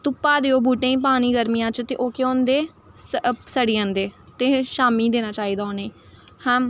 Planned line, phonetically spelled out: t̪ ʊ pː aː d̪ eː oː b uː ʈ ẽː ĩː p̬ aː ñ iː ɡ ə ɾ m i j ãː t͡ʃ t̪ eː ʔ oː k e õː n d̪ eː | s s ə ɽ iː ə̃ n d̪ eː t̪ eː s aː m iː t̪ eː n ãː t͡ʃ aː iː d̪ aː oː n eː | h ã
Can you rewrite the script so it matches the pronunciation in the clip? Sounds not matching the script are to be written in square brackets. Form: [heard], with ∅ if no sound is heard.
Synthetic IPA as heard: t̪ ʊ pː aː d̪ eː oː b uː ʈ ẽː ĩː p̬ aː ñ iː ɡ ə ɾ m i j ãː t͡ʃ t̪ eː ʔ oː k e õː n d̪ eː | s s ə ɽ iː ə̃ n d̪ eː t̪ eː [ʃ] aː m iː [d̪] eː n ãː t͡ʃ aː iː d̪ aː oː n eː | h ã